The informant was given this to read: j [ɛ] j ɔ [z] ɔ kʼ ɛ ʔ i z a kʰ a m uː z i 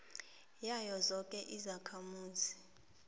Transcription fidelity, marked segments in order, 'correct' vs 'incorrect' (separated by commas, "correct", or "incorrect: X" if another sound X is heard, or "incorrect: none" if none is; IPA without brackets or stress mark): incorrect: a, correct